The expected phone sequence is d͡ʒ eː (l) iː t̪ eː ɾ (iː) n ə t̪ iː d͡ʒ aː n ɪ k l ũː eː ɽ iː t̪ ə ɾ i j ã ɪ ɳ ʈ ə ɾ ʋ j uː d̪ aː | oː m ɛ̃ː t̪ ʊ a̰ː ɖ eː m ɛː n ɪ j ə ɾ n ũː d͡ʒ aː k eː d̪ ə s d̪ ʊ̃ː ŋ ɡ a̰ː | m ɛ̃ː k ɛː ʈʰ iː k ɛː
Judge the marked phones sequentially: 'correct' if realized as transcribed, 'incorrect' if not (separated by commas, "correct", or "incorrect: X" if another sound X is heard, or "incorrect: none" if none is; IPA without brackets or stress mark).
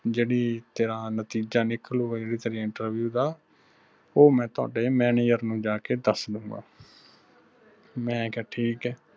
incorrect: ɽ, incorrect: aː